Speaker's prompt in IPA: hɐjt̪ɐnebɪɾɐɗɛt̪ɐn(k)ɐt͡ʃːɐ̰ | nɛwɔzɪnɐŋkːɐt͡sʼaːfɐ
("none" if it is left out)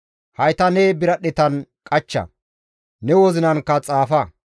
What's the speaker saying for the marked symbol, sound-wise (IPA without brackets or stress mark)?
kʼ